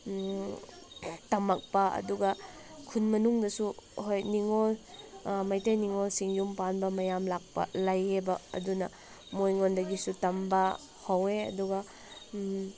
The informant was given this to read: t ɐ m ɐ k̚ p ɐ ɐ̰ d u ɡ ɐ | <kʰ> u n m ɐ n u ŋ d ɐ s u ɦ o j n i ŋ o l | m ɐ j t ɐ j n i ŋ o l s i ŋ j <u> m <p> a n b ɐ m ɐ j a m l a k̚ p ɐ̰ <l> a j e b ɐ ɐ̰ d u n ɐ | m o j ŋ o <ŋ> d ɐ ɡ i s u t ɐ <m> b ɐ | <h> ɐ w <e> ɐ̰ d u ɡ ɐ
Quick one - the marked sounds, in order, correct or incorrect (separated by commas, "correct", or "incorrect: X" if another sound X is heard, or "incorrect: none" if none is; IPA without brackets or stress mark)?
correct, correct, correct, correct, incorrect: n, correct, correct, correct